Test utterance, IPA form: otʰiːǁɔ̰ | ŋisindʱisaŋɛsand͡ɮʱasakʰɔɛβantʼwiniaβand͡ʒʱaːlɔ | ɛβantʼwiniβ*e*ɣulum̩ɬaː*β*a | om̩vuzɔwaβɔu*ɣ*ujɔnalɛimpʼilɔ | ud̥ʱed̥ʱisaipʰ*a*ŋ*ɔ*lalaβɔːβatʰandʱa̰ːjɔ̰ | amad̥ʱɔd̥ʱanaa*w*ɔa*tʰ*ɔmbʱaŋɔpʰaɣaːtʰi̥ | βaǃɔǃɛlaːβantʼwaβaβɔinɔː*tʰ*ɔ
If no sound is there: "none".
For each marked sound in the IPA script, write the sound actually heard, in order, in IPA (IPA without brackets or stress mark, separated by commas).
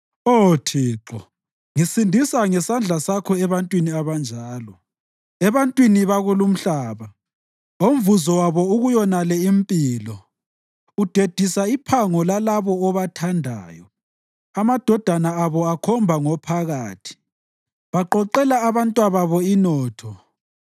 a, β, ɣ, a, ɔ, β, kʰ, tʰ